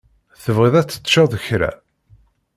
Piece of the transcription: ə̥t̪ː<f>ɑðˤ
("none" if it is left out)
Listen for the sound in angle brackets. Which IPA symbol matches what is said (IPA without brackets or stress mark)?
ʃ